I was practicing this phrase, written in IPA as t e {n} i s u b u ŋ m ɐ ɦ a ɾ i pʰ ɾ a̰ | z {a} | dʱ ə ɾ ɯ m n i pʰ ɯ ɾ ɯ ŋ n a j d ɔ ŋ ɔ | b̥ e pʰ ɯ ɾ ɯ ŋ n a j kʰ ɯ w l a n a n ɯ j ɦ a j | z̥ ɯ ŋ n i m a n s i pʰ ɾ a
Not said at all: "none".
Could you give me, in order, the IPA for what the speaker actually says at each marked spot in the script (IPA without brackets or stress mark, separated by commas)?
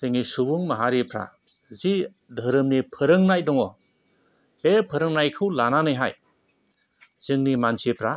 ŋ, i